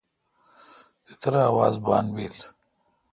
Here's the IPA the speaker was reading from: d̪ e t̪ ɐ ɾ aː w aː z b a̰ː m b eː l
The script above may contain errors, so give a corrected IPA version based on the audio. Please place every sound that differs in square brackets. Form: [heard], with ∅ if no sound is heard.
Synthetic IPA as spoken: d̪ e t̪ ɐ ɾ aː w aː z b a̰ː [n] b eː l